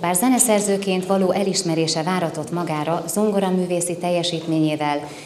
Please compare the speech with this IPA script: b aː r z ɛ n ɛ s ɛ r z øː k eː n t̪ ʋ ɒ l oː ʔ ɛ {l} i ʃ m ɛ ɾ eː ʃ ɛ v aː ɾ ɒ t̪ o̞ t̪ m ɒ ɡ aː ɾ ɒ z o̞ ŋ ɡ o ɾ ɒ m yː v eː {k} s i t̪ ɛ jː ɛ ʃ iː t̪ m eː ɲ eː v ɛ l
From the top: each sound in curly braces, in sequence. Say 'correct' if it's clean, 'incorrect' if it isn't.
correct, incorrect: none

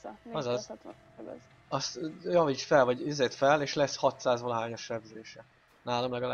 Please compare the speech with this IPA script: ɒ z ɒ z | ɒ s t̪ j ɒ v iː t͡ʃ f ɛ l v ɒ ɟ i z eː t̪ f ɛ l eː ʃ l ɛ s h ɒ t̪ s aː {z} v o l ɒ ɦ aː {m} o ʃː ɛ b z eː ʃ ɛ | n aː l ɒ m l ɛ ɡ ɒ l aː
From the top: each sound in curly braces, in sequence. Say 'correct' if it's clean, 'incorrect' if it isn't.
correct, incorrect: ɲ

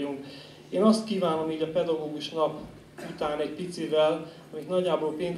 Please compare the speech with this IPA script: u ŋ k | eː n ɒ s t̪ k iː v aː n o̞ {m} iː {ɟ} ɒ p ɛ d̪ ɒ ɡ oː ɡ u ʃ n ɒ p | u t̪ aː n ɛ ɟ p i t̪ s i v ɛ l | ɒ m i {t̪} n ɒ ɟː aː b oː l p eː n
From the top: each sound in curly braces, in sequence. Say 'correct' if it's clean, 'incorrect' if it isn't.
correct, correct, correct

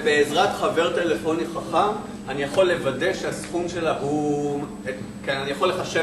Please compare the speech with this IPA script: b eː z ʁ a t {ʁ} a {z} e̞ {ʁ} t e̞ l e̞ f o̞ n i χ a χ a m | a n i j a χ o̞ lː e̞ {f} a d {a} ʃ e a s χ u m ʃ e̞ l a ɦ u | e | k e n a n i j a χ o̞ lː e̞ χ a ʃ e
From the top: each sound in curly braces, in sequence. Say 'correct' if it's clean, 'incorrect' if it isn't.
incorrect: χ, incorrect: v, correct, incorrect: v, incorrect: e

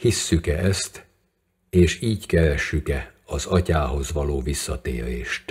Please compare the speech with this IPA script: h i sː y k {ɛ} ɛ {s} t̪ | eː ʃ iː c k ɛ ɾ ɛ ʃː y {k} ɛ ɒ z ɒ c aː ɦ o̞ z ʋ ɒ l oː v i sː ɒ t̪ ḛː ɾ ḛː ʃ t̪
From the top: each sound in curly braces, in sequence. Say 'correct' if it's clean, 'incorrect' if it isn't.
correct, correct, correct

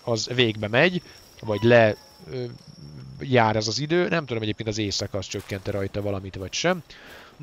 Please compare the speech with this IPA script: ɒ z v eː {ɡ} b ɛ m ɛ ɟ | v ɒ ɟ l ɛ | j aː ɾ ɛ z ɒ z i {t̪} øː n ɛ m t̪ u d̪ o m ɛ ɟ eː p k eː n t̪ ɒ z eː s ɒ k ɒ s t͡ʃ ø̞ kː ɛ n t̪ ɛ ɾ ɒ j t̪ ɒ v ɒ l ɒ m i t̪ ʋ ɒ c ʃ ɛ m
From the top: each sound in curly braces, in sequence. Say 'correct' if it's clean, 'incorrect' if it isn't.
correct, incorrect: d̪

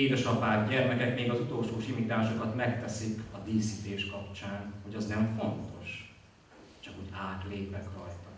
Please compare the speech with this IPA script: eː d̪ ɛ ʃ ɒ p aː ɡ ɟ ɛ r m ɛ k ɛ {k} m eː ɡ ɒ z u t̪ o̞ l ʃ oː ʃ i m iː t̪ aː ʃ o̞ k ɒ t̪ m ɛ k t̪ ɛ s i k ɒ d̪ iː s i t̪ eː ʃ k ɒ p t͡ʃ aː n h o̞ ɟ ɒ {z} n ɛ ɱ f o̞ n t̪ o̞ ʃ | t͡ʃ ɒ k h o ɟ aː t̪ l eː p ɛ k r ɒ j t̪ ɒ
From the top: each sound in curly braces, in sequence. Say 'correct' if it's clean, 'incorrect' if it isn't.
correct, correct

